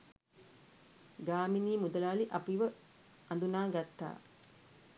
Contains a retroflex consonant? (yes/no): no